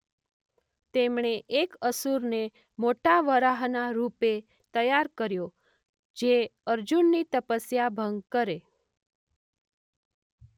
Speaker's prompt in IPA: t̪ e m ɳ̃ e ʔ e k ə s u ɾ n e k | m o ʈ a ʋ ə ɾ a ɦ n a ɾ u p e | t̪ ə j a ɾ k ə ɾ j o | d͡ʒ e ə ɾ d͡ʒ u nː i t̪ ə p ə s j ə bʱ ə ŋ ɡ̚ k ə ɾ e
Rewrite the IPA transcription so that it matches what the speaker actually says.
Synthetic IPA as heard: t̪ e m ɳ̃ e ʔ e k ə s u ɾ n e | m o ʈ a ʋ ə ɾ a ɦ n a ɾ u p e | t̪ ə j a ɾ k ə ɾ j o | d͡ʒ e ə ɾ d͡ʒ u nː i t̪ ə p ə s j a bʱ ə ŋ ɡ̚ k ə ɾ e